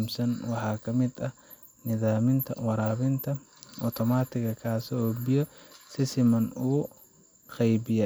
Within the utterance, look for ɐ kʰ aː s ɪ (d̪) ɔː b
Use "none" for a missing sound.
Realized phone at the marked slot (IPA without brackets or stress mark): none